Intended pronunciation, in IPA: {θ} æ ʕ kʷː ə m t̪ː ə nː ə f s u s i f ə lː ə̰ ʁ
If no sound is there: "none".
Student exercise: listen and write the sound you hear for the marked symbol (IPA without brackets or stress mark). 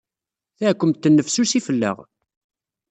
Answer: θ